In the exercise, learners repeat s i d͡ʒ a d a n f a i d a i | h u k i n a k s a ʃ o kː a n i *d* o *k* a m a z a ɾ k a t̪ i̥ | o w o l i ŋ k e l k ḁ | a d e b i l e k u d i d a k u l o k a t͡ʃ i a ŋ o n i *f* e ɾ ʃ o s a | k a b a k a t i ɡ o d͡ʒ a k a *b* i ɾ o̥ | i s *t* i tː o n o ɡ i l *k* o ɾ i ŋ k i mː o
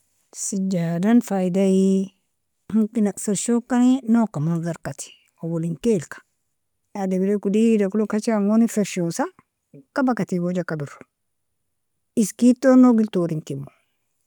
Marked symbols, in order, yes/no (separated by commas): no, yes, yes, yes, no, no